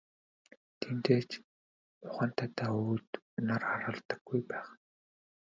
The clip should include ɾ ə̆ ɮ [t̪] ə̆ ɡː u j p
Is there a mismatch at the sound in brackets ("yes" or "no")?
no